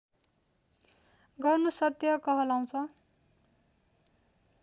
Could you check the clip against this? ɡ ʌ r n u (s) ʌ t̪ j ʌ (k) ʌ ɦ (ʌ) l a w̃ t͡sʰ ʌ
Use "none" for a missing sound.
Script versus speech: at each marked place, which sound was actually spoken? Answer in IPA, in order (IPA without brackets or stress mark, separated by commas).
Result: s, k, ʌ